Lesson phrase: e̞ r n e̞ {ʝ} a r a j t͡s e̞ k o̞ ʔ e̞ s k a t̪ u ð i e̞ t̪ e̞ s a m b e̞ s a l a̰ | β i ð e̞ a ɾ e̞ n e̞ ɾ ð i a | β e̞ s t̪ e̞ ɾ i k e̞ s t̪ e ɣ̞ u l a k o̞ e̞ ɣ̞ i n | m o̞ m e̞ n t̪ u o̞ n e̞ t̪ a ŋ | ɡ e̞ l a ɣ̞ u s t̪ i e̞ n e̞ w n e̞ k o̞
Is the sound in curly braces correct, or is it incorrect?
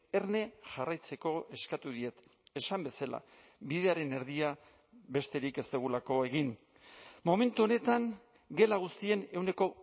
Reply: correct